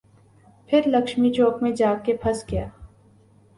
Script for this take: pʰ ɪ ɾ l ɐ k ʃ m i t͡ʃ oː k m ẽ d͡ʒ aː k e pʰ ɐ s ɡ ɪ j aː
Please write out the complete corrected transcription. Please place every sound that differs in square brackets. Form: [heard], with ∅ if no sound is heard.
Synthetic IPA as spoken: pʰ ɪ ɾ l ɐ k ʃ m i t͡ʃ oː k m ẽ d͡ʒ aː k e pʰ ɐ s ɡ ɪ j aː